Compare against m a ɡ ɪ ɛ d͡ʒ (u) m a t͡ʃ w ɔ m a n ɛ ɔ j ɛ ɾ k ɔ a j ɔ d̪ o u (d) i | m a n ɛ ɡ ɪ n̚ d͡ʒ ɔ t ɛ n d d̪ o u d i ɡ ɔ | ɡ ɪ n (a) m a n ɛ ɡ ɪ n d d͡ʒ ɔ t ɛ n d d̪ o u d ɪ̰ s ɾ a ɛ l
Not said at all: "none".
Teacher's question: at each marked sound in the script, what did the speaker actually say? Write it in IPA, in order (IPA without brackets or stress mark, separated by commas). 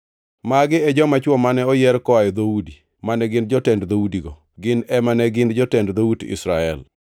ɔ, d, ɛ